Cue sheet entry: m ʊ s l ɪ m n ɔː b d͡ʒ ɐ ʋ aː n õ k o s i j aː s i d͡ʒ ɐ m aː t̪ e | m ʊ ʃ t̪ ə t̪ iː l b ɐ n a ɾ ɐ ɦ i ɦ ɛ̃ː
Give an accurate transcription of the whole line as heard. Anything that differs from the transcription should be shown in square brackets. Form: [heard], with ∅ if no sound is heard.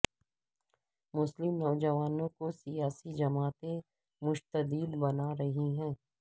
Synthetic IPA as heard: m ʊ s l ɪ m n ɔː [∅] d͡ʒ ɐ ʋ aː n õ k o s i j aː s i d͡ʒ ɐ m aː t̪ e | m ʊ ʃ t̪ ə [d̪] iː l b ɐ n a ɾ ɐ ɦ i ɦ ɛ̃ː